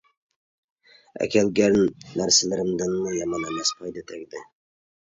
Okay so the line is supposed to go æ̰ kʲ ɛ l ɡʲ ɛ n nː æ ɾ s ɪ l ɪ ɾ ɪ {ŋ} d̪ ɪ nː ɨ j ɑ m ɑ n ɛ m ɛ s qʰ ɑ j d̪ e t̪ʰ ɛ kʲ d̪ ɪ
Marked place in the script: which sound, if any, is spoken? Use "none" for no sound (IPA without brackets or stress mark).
m